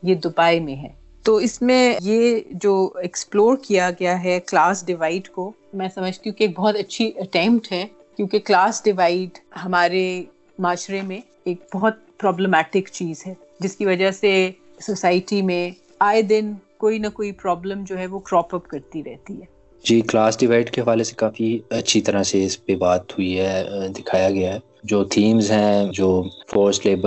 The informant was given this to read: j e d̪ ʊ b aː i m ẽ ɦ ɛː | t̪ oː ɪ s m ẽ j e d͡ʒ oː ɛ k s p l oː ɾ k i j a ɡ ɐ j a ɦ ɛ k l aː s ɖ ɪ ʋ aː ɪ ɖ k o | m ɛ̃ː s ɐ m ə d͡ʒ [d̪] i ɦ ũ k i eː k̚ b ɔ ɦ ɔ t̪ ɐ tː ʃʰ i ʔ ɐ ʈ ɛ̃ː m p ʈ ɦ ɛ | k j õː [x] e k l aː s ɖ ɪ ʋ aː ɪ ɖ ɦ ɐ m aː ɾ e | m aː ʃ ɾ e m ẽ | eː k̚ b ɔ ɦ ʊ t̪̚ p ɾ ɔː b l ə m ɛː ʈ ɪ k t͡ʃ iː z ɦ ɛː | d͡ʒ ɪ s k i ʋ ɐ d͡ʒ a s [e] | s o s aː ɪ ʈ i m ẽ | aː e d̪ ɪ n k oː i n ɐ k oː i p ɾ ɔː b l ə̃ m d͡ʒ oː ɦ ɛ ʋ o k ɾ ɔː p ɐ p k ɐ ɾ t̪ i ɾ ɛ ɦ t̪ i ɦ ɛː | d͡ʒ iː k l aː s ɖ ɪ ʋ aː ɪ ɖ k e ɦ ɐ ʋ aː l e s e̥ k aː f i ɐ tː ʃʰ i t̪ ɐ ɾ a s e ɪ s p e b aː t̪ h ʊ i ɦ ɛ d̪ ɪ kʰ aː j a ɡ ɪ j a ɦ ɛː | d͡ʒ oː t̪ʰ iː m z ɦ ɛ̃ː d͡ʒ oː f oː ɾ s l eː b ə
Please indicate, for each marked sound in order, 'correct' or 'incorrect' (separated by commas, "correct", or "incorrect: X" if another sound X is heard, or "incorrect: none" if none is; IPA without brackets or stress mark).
incorrect: t̪, incorrect: k, correct